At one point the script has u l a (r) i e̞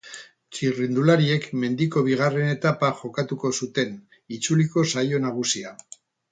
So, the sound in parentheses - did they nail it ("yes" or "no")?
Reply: no